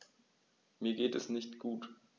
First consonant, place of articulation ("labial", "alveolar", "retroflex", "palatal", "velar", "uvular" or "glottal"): labial